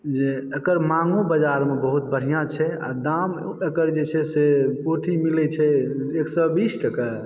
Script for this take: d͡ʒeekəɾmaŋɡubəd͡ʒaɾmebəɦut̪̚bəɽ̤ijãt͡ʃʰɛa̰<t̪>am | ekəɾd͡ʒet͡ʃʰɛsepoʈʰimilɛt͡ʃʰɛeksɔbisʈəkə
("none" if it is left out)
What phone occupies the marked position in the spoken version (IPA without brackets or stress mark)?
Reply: d̪